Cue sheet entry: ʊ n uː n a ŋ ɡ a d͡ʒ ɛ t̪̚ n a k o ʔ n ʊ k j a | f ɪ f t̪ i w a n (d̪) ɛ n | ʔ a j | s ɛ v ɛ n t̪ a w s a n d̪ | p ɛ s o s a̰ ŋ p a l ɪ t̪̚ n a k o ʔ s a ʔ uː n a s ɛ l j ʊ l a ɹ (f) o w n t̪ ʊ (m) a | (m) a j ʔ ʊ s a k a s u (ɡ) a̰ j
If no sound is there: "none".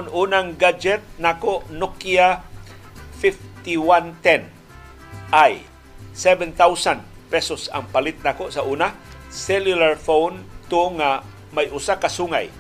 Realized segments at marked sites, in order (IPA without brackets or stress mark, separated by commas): t̪, f, ŋ, m, ŋ